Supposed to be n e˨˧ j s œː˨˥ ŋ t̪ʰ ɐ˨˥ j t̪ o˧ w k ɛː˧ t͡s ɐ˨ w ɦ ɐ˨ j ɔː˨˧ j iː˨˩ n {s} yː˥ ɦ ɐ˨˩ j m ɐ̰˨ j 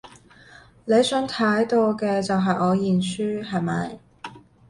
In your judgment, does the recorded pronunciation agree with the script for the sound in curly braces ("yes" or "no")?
yes